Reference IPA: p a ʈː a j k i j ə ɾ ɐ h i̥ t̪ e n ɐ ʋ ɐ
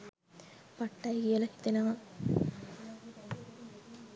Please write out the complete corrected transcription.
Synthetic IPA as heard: p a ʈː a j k i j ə l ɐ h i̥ t̪ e n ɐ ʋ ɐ